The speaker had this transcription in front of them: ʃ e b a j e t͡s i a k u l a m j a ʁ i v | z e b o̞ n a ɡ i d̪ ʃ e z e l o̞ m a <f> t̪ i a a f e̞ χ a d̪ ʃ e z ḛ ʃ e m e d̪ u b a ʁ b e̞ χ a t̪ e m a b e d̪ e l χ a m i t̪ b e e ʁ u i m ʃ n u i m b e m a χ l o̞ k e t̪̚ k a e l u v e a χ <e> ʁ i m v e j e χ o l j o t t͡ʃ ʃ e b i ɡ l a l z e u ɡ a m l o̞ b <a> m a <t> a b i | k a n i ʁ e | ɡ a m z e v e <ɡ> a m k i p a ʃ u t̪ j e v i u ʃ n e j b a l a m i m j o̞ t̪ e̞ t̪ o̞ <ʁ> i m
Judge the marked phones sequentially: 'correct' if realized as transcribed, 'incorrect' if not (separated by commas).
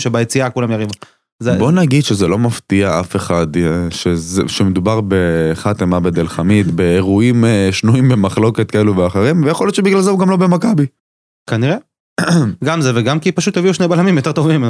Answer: correct, correct, incorrect, incorrect, correct, incorrect